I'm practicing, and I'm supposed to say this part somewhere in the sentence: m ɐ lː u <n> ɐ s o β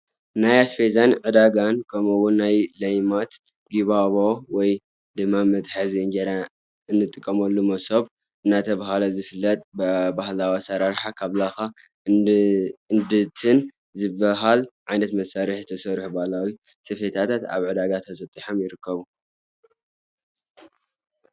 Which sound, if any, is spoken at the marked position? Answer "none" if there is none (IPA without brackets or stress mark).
m